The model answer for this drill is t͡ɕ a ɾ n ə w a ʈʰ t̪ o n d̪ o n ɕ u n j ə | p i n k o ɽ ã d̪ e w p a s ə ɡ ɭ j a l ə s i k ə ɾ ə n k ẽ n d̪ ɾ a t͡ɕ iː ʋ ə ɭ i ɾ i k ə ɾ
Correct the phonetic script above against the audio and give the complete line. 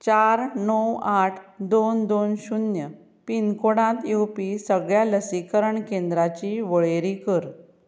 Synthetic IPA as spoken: t͡ɕ a ɾ n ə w a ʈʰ d̪ o n d̪ o n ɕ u n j ə | p i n k o ɽ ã t̪ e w p i s ə ɡ ɭ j a l ə s i k ə ɾ ə ɳ k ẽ n d̪ ɾ a t͡ɕ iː ʋ ə ɭ e ɾ i k ə ɾ